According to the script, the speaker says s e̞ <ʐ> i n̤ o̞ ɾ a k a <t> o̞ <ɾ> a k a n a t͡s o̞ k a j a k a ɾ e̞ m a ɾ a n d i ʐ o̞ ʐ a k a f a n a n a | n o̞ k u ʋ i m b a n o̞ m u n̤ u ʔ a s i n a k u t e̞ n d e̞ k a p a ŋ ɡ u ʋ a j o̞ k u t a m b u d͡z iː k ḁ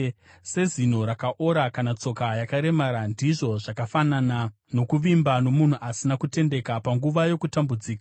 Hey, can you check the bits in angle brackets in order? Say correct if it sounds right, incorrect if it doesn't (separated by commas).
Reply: incorrect, incorrect, correct